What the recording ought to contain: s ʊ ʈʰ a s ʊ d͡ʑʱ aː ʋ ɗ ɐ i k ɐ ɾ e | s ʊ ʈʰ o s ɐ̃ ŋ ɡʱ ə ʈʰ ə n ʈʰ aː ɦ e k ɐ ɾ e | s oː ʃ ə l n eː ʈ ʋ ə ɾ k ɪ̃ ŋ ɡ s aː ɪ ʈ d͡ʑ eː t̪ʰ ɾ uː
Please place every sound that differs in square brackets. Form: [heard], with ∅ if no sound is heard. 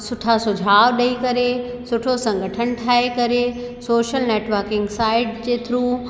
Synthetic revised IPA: s ʊ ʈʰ a s ʊ d͡ʑʱ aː ʋ ɗ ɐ i k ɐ ɾ e | s ʊ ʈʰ o s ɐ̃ ŋ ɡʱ ə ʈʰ ə n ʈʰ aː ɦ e k ɐ ɾ e | s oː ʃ ə l n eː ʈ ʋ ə ɾ k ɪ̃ ŋ ɡ s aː ɪ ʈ d͡ʑ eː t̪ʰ ɾ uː